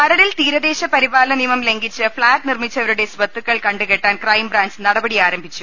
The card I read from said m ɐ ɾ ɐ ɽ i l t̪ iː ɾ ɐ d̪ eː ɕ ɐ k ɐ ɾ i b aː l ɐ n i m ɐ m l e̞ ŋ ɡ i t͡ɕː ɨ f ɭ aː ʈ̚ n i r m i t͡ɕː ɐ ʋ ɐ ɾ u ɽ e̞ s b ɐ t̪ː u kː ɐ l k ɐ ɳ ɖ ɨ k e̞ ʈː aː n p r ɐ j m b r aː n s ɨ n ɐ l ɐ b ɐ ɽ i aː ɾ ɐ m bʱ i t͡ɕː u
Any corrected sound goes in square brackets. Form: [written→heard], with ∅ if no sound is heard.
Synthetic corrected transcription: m ɐ ɾ ɐ ɽ i l t̪ iː ɾ ɐ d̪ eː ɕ ɐ [k→p] ɐ ɾ i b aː l ɐ n i m ɐ m l e̞ ŋ ɡ i t͡ɕː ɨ f ɭ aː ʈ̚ n i r m i t͡ɕː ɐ ʋ ɐ ɾ u ɽ e̞ s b ɐ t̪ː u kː ɐ [l→ɭ] k ɐ ɳ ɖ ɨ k e̞ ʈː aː n [p→k] r ɐ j m b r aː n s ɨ n ɐ [l→ɽ] ɐ b ɐ ɽ i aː ɾ ɐ m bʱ i t͡ɕː u

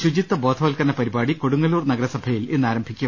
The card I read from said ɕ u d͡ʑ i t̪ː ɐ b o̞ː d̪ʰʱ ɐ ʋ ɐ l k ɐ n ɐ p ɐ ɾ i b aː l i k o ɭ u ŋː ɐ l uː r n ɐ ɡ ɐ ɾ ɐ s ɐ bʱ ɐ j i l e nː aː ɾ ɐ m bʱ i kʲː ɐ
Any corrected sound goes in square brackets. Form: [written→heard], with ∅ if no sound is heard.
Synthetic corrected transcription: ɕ u d͡ʑ i t̪ː ɐ b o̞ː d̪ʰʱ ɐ ʋ ɐ l k ɐ n ɐ p ɐ ɾ i b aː [l→ɽ] i k o [ɭ→ɽ] u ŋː ɐ l uː r n ɐ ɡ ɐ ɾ ɐ s ɐ bʱ ɐ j i l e nː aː ɾ ɐ m bʱ i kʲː ɐ

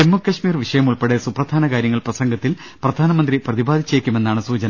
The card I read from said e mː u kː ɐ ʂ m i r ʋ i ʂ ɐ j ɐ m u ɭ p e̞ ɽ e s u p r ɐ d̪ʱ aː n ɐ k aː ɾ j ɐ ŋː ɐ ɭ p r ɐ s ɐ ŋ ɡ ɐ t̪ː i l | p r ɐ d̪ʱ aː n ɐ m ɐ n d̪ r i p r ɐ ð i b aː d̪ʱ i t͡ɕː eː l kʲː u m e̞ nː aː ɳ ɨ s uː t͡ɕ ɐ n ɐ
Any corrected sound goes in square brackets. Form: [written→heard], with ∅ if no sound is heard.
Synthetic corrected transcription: e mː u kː ɐ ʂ m [i→iː] r ʋ i ʂ ɐ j ɐ m u ɭ p e̞ ɽ e s u p r ɐ d̪ʱ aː n ɐ k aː ɾ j ɐ ŋː ɐ ɭ p r ɐ s ɐ ŋ ɡ ɐ t̪ː i l | p r ɐ d̪ʱ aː n ɐ m ɐ n d̪ r i p r ɐ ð i b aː d̪ʱ i t͡ɕː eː [l→∅] kʲː u m e̞ nː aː ɳ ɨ s uː t͡ɕ ɐ n ɐ

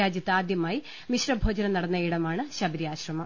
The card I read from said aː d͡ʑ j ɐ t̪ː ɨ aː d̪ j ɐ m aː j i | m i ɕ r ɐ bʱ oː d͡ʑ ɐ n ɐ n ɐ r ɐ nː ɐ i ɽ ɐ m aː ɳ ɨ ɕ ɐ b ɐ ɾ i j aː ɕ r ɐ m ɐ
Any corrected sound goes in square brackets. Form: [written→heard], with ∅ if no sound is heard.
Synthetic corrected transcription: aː d͡ʑ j ɐ t̪ː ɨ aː d̪ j ɐ m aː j i | m i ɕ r ɐ bʱ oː d͡ʑ ɐ n ɐ n ɐ [r→ɽ] ɐ nː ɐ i ɽ ɐ m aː ɳ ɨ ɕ ɐ b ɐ ɾ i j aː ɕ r ɐ m ɐ

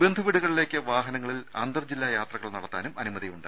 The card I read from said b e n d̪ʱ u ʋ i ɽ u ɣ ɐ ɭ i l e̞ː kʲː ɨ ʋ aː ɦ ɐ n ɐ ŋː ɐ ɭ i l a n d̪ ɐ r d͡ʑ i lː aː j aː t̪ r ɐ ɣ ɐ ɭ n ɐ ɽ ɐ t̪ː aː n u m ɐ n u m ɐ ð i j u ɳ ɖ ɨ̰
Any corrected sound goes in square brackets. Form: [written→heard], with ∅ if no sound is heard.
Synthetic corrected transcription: b e n d̪ʱ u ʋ i ɽ u ɣ ɐ ɭ i l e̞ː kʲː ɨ ʋ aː ɦ ɐ n ɐ ŋː ɐ ɭ i l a n d̪ ɐ r d͡ʑ i lː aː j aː t̪ r ɐ ɣ ɐ ɭ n ɐ ɽ ɐ t̪ː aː n u m ɐ n u m ɐ ð i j u ɳ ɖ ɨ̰

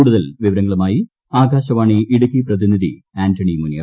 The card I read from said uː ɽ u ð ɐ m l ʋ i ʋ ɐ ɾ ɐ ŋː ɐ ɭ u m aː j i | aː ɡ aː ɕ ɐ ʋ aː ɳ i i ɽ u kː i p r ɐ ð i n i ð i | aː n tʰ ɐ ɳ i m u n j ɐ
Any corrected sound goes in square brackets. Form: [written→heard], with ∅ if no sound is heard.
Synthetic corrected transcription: uː ɽ u ð ɐ [m→∅] l ʋ i ʋ ɐ ɾ ɐ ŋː ɐ ɭ u m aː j i | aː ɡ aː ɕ ɐ ʋ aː ɳ i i ɽ u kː i p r ɐ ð i n i ð i | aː n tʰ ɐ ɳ i m u n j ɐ

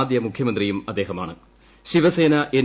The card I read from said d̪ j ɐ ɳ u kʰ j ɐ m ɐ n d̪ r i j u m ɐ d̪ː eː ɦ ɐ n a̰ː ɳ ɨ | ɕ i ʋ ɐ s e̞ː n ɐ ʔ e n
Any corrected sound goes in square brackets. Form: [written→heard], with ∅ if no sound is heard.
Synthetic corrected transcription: d̪ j ɐ [ɳ→m] u kʰ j ɐ m ɐ n d̪ r i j u m ɐ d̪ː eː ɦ ɐ [n→m] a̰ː ɳ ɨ | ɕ i ʋ ɐ s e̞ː n ɐ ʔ e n

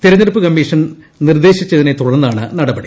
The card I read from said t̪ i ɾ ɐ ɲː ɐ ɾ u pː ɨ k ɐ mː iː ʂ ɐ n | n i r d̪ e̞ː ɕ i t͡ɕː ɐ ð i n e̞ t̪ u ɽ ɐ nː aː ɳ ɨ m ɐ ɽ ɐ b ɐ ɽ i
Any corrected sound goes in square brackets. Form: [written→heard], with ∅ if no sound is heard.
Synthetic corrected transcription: t̪ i ɾ ɐ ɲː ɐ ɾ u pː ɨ k ɐ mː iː ʂ ɐ n | n i r d̪ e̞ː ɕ i t͡ɕː ɐ ð i n e̞ t̪ u ɽ ɐ nː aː ɳ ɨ [m→n] ɐ ɽ ɐ b ɐ ɽ i

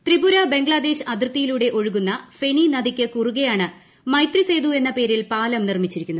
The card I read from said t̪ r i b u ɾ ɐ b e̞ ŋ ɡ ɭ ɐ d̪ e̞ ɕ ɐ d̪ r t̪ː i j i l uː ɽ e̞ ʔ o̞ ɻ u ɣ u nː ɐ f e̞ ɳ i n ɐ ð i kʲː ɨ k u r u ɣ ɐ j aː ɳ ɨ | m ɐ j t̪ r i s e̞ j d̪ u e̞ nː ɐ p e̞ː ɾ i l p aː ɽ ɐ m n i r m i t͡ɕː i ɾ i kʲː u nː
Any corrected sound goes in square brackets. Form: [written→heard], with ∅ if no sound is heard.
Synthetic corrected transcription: t̪ r i b u ɾ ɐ b e̞ ŋ ɡ ɭ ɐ d̪ e̞ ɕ ɐ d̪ r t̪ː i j i l uː ɽ e̞ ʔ o̞ ɻ u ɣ u nː ɐ f e̞ ɳ i n ɐ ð i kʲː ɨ k u r u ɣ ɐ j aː ɳ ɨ | m ɐ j t̪ r i s e̞ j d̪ u e̞ nː ɐ p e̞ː ɾ i l p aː [ɽ→l] ɐ m n i r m i t͡ɕː i ɾ i kʲː u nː

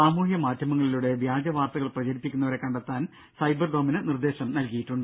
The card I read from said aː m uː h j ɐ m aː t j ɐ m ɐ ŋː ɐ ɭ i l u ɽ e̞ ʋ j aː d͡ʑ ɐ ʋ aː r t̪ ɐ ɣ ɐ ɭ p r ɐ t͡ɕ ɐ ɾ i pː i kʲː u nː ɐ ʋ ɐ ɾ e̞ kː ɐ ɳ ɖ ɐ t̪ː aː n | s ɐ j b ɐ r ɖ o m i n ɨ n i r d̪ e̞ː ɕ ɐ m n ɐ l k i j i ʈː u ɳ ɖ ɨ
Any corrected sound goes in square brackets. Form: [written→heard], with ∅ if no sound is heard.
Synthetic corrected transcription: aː m uː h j ɐ m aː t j ɐ m ɐ ŋː ɐ ɭ i l u ɽ e̞ ʋ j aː d͡ʑ ɐ ʋ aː r t̪ ɐ ɣ ɐ ɭ p r ɐ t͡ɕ ɐ ɾ i pː i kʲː u nː ɐ ʋ ɐ ɾ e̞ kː ɐ ɳ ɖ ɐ t̪ː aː n | s ɐ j b ɐ r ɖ o m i n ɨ n i r d̪ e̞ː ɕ ɐ m n ɐ l k i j i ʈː u ɳ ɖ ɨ

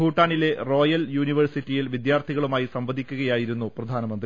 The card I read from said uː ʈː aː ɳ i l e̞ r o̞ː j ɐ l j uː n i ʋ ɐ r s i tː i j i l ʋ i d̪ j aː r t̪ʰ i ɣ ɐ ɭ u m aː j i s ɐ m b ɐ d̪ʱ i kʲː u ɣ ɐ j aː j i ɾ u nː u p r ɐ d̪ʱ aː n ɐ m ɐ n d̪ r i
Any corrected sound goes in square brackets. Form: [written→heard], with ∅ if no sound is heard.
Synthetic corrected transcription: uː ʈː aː ɳ i l e̞ r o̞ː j ɐ l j uː n i ʋ ɐ r s i tː i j i l ʋ i d̪ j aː r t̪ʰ i ɣ ɐ ɭ u m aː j i s ɐ m b ɐ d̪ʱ i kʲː u ɣ ɐ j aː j i ɾ u nː u p r ɐ d̪ʱ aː n ɐ m ɐ n d̪ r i

